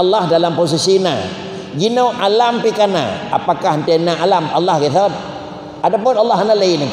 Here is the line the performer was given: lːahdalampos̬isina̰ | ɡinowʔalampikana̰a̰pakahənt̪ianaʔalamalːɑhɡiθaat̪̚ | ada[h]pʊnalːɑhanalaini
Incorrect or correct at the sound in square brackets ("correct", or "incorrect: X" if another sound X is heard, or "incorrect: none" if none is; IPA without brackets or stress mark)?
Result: incorrect: none